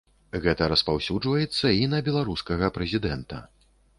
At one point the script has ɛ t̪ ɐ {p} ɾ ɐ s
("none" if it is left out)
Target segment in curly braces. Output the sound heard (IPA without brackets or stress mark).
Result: none